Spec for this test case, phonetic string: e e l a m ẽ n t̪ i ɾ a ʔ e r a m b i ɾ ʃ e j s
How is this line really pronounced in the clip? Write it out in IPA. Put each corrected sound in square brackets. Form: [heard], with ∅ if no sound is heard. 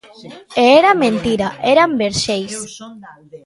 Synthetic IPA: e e [ɾ] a m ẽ n t̪ i ɾ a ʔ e [ɾ] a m b [e] ɾ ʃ e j s